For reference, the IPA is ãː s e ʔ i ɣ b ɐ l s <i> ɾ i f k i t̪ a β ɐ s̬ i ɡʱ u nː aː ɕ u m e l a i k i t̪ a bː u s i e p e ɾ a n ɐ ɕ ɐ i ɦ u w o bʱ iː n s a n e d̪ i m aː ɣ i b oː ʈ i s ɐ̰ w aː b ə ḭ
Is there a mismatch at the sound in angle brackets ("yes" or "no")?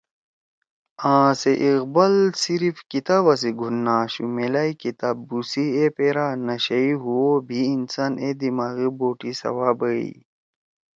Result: no